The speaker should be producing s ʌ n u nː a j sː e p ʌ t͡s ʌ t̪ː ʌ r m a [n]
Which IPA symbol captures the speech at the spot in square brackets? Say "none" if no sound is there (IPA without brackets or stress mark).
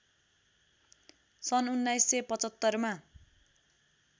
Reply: none